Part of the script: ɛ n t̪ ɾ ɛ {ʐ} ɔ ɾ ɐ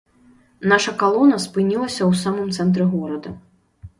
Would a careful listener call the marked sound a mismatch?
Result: yes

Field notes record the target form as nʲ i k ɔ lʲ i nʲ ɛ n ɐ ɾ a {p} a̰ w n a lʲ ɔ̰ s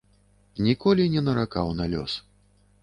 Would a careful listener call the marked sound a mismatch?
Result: yes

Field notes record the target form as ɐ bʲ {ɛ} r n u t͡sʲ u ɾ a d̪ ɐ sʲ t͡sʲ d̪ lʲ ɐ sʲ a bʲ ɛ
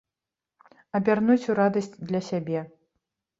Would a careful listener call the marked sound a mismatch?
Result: yes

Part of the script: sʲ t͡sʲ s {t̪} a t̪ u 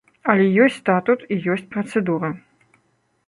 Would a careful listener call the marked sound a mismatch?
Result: no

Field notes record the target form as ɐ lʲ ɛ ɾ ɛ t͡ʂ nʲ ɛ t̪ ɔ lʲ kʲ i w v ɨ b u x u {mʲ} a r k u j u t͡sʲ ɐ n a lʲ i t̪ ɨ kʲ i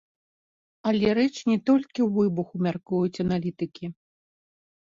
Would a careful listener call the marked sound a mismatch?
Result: no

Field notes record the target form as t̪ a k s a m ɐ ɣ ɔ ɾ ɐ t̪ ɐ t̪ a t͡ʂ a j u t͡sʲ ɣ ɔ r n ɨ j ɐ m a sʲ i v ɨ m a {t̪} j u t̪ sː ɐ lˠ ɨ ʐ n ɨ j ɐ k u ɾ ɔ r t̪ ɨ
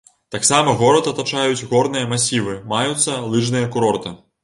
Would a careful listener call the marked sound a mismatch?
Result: yes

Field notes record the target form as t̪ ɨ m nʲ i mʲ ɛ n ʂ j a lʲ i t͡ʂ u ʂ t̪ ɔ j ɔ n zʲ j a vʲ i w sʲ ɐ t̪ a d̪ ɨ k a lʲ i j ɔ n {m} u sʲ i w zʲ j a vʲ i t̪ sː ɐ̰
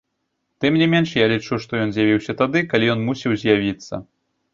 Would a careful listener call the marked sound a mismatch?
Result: no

